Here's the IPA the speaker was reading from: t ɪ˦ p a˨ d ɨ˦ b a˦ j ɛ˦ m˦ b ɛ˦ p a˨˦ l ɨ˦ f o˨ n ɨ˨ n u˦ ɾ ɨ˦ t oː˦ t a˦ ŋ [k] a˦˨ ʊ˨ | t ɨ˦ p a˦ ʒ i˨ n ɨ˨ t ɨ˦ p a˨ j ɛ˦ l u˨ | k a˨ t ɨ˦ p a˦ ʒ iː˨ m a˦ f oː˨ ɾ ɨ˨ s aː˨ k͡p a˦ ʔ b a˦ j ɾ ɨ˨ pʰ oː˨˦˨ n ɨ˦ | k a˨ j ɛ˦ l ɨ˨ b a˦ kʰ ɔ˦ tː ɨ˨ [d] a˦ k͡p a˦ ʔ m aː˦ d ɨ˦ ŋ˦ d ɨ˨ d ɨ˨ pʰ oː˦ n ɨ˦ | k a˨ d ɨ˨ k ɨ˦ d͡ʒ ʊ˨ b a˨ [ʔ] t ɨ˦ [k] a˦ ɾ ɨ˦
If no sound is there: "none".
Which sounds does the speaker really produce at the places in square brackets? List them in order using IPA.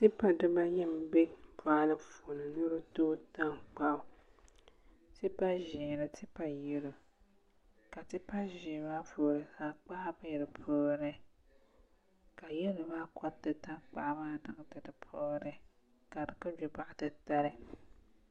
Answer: k͡p, t, ʔ, t

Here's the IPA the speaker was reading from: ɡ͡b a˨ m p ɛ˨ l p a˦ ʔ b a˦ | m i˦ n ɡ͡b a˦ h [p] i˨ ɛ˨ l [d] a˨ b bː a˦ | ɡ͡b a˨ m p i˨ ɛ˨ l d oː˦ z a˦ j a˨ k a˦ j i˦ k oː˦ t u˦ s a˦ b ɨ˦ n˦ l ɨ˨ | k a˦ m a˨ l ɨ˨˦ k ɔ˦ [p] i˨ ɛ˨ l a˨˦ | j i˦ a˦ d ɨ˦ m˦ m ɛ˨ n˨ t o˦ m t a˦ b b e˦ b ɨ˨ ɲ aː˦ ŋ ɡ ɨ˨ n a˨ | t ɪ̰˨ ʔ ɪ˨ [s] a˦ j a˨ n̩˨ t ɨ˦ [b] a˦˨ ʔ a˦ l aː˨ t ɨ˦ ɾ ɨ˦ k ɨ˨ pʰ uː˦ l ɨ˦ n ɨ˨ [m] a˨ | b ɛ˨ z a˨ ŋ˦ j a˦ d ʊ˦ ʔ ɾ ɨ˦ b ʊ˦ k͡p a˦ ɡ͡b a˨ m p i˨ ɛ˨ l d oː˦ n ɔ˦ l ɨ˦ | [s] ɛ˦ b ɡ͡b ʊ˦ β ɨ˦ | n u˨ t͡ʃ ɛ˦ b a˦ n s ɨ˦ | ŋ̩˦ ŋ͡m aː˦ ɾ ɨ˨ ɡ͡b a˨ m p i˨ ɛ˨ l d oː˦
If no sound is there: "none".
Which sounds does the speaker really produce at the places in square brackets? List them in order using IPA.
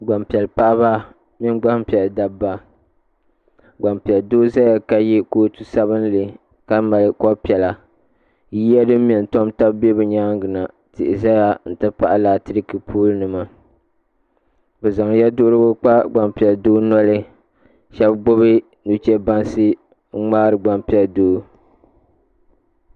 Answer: p, d, p, z, p, m, ʃ

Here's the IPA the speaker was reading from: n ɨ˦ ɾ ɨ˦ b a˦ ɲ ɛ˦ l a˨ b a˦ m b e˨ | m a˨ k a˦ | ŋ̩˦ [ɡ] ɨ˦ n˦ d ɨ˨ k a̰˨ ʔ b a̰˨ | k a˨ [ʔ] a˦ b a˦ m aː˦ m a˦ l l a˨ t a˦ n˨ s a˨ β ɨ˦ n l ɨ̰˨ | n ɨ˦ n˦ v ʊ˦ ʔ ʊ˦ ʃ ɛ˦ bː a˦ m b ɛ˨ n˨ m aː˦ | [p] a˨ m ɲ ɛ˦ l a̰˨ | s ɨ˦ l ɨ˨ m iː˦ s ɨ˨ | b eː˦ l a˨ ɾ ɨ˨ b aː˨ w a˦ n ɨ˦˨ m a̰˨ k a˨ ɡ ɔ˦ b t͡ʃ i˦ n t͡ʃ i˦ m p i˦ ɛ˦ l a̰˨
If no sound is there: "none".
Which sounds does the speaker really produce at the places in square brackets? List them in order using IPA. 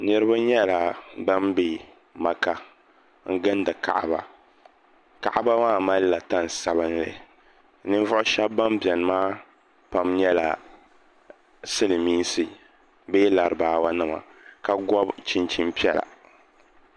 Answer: ɡ, ʔ, p

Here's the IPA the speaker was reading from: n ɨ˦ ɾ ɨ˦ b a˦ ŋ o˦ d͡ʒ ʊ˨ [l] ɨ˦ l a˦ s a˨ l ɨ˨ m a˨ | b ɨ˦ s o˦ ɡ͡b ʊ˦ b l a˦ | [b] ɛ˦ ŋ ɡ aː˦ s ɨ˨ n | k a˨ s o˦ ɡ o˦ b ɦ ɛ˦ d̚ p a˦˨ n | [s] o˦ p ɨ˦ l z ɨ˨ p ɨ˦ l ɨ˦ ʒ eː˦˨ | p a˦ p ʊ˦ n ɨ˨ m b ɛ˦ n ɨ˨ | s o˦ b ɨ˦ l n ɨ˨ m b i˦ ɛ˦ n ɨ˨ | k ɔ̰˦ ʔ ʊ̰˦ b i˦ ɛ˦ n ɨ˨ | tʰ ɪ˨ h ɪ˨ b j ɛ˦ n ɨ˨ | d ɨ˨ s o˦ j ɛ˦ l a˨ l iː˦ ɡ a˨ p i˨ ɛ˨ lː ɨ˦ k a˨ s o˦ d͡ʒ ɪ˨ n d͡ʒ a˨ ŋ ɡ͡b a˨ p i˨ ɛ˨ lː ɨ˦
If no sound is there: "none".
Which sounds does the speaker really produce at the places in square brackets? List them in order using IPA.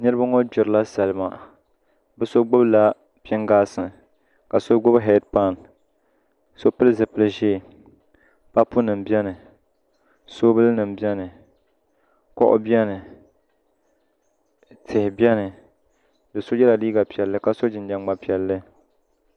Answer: ɾ, p, s

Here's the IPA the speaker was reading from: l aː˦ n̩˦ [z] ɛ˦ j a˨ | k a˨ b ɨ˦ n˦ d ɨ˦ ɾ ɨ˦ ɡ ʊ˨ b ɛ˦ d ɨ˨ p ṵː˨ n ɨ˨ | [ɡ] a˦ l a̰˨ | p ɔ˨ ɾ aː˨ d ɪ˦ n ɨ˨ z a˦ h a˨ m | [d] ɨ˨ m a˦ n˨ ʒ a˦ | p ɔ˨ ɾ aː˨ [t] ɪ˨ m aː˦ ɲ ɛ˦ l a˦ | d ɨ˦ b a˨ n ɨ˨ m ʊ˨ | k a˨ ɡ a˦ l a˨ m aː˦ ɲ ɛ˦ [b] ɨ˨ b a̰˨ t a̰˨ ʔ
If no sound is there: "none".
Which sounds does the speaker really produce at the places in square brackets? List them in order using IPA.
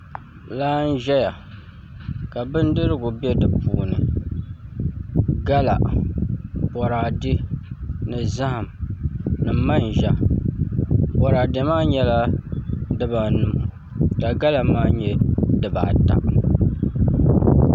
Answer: ʒ, ɡ, n, d, d

